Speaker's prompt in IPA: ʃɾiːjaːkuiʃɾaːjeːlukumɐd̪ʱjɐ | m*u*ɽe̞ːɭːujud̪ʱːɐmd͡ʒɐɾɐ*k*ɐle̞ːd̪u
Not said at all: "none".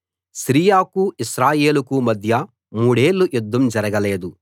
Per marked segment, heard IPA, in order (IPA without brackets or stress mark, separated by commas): uː, ɡ